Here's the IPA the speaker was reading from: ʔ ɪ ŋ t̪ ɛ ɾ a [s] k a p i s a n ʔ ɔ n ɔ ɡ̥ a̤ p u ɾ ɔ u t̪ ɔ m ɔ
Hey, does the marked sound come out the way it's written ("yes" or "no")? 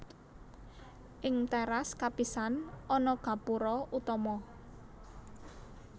yes